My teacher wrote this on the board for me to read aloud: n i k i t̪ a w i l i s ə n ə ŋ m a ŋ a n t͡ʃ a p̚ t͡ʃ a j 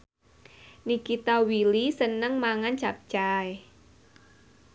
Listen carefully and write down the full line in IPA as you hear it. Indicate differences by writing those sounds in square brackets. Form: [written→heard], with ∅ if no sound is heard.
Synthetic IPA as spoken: n i k i t̪ a w i l i s ə n ə ŋ m a ŋ a n t͡ʃ a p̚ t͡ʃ a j